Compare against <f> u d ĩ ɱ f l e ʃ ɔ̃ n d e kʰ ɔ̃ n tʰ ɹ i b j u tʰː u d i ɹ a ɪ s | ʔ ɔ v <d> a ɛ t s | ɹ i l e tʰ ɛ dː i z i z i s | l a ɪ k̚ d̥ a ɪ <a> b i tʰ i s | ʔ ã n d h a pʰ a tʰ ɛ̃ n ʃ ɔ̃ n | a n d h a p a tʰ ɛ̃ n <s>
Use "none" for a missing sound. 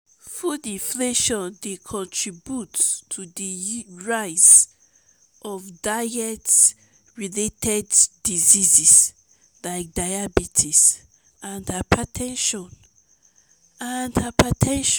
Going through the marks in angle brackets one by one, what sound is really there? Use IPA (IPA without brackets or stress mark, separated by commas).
f, d, a, ʃ